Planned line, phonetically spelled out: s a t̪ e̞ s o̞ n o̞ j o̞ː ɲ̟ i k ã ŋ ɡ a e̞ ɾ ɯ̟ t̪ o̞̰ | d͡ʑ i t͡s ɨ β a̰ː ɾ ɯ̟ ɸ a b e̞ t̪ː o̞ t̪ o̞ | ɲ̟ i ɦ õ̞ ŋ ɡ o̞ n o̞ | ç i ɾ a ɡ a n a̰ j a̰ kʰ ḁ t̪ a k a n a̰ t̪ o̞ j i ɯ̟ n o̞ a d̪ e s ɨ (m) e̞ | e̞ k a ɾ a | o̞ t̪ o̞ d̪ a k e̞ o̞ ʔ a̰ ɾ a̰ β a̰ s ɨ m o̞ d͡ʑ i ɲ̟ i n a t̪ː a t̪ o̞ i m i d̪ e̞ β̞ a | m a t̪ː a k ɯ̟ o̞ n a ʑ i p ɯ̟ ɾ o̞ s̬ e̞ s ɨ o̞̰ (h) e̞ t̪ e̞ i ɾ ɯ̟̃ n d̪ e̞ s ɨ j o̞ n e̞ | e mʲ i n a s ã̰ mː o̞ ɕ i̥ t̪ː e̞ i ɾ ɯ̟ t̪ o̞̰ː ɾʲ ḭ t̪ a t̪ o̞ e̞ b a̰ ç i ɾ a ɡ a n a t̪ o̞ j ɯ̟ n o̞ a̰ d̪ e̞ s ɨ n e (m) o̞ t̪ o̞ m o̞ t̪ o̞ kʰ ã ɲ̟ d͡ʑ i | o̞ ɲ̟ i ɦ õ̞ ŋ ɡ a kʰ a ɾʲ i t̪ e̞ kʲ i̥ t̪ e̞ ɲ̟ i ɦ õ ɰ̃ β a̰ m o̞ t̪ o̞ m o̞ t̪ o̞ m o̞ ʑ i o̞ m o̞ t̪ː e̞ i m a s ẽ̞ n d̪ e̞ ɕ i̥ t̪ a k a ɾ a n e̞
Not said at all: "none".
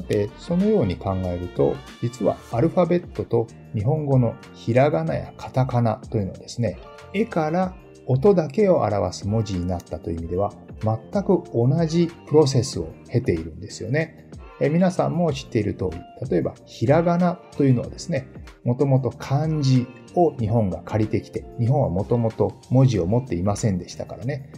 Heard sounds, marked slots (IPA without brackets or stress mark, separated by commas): n, h, m